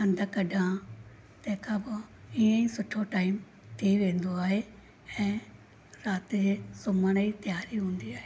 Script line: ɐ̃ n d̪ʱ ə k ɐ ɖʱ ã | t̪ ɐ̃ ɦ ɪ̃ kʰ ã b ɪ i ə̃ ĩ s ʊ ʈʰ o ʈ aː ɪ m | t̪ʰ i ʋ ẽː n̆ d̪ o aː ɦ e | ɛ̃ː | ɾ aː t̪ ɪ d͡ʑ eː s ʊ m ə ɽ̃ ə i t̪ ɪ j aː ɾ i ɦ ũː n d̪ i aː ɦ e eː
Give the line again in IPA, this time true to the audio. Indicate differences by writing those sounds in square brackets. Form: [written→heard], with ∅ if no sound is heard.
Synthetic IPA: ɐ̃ n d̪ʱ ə k ɐ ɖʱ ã | t̪ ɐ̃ ɦ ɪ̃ kʰ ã b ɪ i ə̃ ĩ s ʊ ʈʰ o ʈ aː ɪ m | t̪ʰ i ʋ ẽː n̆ d̪ o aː ɦ e | ɛ̃ː | ɾ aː t̪ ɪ d͡ʑ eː s ʊ m ə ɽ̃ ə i t̪ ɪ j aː ɾ i ɦ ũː n d̪ i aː ɦ e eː